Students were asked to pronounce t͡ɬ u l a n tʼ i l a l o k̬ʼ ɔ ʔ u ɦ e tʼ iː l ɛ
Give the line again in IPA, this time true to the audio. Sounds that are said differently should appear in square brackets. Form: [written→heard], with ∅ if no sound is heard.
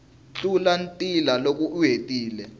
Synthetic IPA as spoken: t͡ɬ u l a n tʼ i l a l o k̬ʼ [ɔ→u] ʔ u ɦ e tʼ iː l ɛ